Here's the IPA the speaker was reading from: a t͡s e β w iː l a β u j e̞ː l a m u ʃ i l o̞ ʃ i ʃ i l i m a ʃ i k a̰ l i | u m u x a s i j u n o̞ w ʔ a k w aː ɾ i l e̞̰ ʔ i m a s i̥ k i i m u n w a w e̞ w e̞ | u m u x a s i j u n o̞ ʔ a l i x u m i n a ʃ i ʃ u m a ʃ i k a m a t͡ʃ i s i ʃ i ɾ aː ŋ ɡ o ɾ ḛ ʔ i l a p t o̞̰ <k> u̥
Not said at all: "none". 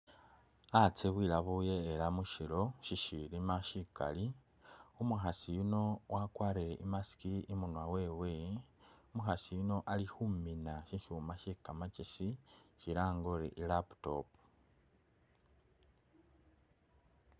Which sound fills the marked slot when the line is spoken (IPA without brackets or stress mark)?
p